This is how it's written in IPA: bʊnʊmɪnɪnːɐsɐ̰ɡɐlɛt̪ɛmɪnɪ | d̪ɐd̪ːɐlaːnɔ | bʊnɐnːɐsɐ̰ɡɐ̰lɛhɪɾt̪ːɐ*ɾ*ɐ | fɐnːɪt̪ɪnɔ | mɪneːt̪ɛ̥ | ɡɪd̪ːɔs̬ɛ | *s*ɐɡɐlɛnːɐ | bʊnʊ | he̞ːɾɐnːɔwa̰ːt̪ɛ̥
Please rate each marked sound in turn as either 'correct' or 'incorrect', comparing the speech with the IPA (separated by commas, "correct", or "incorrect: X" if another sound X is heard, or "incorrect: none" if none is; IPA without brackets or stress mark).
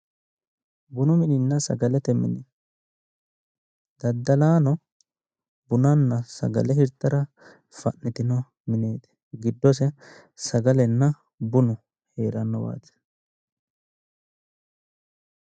correct, correct